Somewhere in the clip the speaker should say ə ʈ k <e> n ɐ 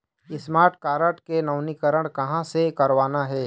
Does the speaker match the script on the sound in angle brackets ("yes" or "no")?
yes